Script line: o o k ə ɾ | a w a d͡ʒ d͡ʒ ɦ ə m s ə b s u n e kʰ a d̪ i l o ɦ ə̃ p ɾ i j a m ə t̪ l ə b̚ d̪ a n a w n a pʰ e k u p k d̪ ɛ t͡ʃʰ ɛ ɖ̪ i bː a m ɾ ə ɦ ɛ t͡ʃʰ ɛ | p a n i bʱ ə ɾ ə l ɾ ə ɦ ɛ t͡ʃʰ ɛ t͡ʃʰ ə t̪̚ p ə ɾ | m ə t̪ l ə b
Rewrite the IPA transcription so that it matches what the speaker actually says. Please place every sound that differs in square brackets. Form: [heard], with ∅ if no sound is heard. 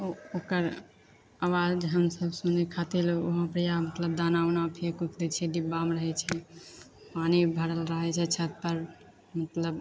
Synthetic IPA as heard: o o k ə ɾ | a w a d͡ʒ d͡ʒ ɦ ə m s ə b s u n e kʰ a [t̪] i l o ɦ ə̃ p ɾ i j a m ə t̪ l ə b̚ d̪ a n a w n a pʰ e k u [∅] k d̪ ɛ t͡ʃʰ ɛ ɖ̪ i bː a m ɾ ə ɦ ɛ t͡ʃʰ ɛ | p a n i bʱ ə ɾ ə l ɾ ə ɦ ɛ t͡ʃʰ ɛ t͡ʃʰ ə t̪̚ p ə ɾ | m ə t̪ l ə b